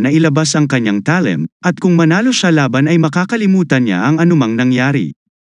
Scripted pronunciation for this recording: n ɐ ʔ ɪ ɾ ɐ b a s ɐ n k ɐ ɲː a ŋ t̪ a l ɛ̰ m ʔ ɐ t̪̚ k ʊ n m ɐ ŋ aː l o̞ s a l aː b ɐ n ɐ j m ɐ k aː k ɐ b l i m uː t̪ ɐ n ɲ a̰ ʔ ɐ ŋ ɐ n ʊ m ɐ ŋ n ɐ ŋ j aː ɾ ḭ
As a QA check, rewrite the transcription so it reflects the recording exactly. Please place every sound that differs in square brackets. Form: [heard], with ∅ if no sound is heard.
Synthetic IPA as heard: n ɐ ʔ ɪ [l] ɐ b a s ɐ [ŋ] k ɐ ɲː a ŋ t̪ a l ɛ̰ m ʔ ɐ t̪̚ k ʊ [ŋ] m ɐ [n] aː l o̞ [ʃ] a l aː b ɐ n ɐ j m ɐ k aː k ɐ [∅] l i m uː t̪ ɐ n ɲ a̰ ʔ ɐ ŋ ɐ n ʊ m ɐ ŋ n ɐ ŋ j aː ɾ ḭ